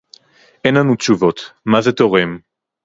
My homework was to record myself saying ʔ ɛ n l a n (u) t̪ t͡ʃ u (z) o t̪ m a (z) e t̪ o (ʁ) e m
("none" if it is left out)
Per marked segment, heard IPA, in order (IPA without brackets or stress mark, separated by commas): u, v, z, ʁ